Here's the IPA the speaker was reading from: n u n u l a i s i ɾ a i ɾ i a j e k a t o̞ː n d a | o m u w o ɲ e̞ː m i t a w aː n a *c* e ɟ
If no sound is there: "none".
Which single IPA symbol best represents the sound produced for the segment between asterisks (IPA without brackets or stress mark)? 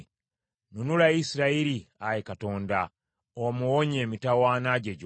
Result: ɟ